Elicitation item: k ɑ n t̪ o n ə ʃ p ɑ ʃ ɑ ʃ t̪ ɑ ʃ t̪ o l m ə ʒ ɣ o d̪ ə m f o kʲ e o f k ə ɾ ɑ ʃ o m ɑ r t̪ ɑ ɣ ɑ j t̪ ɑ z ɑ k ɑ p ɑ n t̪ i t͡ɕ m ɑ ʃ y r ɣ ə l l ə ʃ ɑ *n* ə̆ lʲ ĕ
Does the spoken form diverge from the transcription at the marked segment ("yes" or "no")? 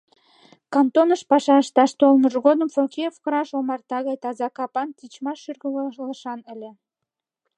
no